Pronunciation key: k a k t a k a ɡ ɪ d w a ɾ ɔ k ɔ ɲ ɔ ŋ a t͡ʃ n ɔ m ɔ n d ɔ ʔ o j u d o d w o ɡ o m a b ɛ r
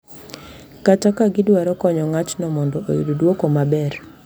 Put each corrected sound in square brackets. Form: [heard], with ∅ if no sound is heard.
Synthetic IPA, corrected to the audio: k a [∅] t a k a ɡ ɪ d w a ɾ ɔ k ɔ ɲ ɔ ŋ a t͡ʃ n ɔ m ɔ n d ɔ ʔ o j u d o d w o [k] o m a b ɛ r